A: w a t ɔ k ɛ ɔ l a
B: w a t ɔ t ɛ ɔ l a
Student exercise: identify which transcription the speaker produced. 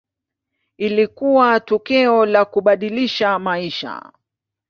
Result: A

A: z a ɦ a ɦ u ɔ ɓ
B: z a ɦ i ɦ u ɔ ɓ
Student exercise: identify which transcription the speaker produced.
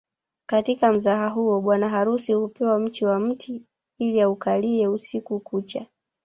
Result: A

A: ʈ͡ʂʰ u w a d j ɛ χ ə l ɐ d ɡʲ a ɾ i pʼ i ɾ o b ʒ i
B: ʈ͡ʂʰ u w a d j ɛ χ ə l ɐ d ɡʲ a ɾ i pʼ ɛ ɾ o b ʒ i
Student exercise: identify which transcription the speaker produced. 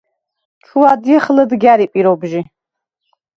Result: A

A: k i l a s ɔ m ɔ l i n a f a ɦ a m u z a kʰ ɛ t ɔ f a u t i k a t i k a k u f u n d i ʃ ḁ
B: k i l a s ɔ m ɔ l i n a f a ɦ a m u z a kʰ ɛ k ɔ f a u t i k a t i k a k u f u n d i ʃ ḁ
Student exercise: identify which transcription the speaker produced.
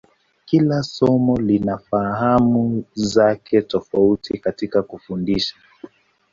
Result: A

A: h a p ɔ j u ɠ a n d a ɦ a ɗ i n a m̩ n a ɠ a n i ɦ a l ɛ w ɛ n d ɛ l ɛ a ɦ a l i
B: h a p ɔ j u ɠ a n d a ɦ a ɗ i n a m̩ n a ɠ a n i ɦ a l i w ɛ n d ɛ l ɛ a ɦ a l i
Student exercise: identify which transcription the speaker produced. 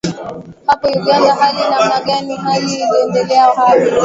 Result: B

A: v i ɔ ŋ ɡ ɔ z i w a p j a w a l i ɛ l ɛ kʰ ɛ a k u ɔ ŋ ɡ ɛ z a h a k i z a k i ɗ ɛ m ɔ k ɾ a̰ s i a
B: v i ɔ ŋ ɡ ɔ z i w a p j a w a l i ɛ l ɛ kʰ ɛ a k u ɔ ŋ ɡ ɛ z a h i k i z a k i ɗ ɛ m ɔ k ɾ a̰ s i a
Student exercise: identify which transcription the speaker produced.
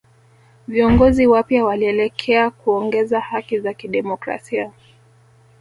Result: A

